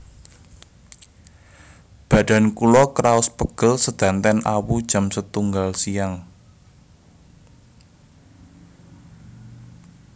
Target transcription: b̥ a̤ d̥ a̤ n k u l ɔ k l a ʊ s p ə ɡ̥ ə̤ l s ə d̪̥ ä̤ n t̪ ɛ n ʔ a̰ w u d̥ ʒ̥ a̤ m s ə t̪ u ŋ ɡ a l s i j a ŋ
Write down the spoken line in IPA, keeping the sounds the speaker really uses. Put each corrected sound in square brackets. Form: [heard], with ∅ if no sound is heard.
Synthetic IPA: b̥ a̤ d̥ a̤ n k u l ɔ k [ɾ] a ʊ s p ə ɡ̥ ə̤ l s ə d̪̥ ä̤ n t̪ ɛ n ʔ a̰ w u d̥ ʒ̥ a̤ m s ə t̪ u ŋ ɡ a l s i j a ŋ

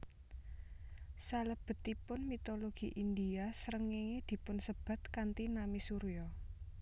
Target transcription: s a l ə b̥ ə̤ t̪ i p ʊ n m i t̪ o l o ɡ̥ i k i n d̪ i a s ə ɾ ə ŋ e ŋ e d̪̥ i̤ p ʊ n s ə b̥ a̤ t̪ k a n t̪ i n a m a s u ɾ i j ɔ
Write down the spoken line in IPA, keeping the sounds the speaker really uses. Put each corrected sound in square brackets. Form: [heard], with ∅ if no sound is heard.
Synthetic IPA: s a l ə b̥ ə̤ t̪ i p ʊ n m i t̪ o l o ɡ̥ i [ʔ] i n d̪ i a s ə ɾ ə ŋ e ŋ e d̪̥ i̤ p ʊ n s ə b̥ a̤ t̪ k a n t̪ i n a m [i] s u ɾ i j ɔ

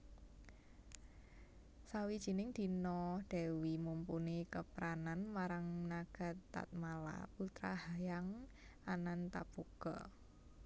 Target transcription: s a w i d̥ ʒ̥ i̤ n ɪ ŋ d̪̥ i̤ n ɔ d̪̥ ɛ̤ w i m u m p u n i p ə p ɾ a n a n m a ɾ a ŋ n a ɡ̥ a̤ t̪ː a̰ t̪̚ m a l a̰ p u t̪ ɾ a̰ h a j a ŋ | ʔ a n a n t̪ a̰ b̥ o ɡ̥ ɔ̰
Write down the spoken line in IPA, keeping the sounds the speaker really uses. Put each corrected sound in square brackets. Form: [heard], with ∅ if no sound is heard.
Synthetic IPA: s a w i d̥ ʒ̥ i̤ n ɪ ŋ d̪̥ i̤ n ɔ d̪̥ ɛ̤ w i m u m p u n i [k] ə p ɾ a n a n m a ɾ a ŋ n a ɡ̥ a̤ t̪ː a̰ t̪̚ m a l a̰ p u t̪ ɾ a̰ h a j a ŋ | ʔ a n a n t̪ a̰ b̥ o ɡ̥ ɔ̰

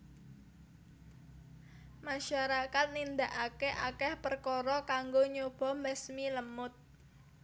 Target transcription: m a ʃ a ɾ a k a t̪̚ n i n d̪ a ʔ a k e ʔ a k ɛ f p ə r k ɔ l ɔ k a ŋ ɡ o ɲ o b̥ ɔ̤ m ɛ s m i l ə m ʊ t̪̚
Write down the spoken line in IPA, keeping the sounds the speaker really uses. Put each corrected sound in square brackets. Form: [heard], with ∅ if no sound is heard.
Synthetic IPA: m a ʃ a ɾ a k a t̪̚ n i n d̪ a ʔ a k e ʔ a k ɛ [h] p ə r k ɔ [ɾ] ɔ k a ŋ ɡ o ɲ o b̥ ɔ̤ m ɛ s m i l ə m ʊ t̪̚

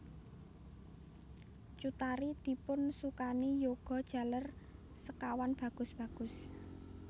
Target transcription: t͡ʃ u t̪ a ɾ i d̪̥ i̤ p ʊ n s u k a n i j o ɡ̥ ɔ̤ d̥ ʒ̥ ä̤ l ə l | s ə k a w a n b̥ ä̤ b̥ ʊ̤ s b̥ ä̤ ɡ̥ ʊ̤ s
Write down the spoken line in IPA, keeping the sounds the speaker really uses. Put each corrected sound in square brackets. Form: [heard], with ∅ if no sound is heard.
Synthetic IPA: t͡ʃ u t̪ a ɾ i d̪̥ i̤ p ʊ n s u k a n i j o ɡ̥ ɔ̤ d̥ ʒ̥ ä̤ l ə [r] | s ə k a w a n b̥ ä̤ [ɡ̥] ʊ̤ s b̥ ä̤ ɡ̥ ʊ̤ s

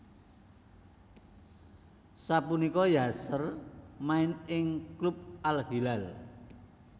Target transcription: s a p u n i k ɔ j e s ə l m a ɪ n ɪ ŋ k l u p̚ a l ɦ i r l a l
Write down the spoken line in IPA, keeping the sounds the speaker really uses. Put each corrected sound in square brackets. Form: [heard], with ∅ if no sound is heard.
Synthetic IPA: s a p u n i k ɔ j [a] s ə [r] m a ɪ n ɪ ŋ k l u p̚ a l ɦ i [∅] l a l

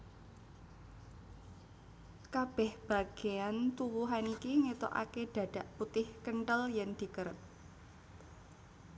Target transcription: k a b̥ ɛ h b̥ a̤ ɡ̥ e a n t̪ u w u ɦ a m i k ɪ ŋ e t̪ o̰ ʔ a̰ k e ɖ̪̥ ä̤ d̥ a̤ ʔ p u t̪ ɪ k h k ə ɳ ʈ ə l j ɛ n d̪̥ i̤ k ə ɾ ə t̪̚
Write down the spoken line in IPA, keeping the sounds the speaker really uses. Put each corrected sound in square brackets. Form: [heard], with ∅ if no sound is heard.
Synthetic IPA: k a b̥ ɛ h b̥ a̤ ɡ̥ e a n t̪ u w u ɦ a [n] i k [i] ŋ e t̪ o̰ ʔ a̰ k e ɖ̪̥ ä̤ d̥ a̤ ʔ p u t̪ ɪ [∅] h k ə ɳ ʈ ə l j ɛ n d̪̥ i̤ k ə ɾ ə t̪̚

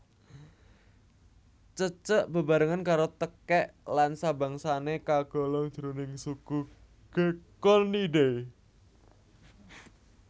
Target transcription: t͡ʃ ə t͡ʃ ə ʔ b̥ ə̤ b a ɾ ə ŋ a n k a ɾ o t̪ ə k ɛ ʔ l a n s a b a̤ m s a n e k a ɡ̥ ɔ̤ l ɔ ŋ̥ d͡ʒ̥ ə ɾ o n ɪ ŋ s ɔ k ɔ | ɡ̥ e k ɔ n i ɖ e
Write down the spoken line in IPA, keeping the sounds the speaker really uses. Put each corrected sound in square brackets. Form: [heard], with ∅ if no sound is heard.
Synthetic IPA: t͡ʃ ə t͡ʃ ə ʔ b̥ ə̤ b a ɾ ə ŋ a n k a ɾ o t̪ ə k ɛ ʔ l a n s a b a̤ [ŋ] s a n e k a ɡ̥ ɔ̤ l ɔ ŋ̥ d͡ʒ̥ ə ɾ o n ɪ ŋ s [u] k [u] | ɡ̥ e k ɔ n i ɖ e

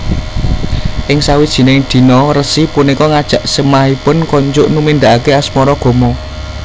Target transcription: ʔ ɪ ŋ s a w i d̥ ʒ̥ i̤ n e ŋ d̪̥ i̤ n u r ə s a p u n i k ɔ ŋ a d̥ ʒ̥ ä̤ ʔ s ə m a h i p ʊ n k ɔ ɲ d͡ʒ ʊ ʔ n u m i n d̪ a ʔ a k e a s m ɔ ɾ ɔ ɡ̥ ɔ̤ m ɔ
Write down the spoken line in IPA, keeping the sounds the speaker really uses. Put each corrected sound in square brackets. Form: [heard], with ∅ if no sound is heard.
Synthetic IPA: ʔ ɪ ŋ s a w i d̥ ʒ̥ i̤ n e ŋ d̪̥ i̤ n [ɔ] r ə s [i] p u n i k ɔ ŋ a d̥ ʒ̥ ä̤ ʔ s ə m a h i p ʊ n k ɔ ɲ d͡ʒ ʊ ʔ n u m i n d̪ a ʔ a k e a s m ɔ ɾ ɔ ɡ̥ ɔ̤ m ɔ

